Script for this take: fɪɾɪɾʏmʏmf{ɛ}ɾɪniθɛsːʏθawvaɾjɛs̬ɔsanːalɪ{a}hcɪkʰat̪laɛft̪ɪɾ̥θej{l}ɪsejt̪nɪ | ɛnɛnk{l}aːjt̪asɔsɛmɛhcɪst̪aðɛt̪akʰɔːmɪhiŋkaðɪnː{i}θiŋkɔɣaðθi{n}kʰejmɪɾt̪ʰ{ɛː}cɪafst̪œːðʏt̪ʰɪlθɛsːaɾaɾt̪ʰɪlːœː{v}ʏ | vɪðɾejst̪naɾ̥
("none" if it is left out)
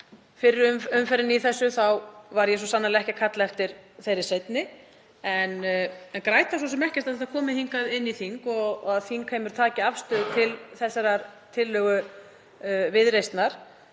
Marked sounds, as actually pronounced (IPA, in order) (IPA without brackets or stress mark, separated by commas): ɛ, ɛ, ɾ, ɾ, i, ŋ, aː, ɣ